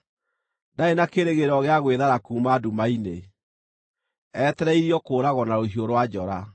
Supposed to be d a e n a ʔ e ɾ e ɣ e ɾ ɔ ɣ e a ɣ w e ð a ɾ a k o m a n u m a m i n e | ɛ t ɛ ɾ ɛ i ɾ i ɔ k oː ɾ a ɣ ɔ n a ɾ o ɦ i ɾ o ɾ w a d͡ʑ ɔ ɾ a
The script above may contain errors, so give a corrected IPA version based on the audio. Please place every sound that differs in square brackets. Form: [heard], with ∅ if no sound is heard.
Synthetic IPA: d a e n a [k] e ɾ e ɣ e ɾ ɔ ɣ e a ɣ w e ð a ɾ a k [u] m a [d] u m a [∅] i n e | ɛ t ɛ ɾ ɛ i ɾ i ɔ k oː ɾ a ɣ ɔ n a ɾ o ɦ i [∅] o ɾ w a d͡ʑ ɔ ɾ a